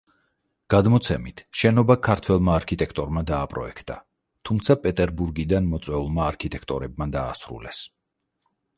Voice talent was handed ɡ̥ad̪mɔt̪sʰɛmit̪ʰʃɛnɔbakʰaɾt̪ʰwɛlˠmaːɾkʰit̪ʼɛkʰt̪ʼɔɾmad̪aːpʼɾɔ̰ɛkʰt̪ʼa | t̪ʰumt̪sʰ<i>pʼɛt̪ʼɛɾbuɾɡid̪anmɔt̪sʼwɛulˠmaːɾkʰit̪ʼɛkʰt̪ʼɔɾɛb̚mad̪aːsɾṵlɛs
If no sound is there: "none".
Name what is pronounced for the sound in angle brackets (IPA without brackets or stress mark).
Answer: a